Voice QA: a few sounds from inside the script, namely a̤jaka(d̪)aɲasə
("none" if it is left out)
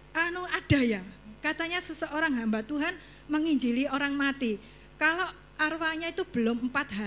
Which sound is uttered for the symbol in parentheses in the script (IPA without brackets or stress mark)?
t̪